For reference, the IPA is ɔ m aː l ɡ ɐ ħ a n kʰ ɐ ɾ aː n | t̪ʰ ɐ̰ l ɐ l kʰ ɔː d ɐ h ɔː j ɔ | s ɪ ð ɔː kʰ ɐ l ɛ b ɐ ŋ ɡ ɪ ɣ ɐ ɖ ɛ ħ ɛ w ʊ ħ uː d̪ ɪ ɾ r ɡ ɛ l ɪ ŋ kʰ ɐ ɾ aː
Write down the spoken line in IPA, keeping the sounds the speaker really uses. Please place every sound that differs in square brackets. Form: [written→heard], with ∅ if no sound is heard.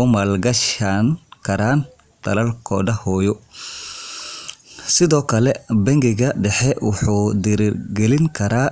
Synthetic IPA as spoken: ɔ m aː l ɡ ɐ [ħ→ʃ] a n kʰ ɐ ɾ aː n | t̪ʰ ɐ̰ l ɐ l kʰ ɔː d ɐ h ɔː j ɔ | s ɪ ð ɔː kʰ ɐ l ɛ b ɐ ŋ ɡ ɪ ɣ ɐ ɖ ɛ ħ ɛ w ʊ ħ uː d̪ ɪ ɾ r ɡ ɛ l ɪ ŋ kʰ ɐ ɾ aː